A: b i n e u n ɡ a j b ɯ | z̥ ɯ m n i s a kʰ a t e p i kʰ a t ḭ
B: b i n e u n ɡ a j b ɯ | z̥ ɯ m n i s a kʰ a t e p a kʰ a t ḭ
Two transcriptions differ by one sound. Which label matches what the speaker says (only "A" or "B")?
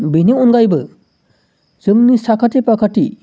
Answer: B